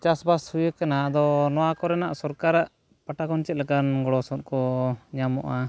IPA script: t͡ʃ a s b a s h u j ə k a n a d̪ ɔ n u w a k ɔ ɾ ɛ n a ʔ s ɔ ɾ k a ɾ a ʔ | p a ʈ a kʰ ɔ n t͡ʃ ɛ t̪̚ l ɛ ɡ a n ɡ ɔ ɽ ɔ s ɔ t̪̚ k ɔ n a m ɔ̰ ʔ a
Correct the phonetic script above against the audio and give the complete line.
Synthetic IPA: t͡ʃ a s b a s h u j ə k a n a d̪ ɔ n ɔ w a k ɔ ɾ ɛ n a ʔ s ɔ ɾ k a ɾ a ʔ | p a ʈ a k ɔ n t͡ʃ ɛ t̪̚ l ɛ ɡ a n ɡ ɔ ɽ ɔ s ɔ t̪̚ k ɔ ɲ a m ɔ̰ ʔ a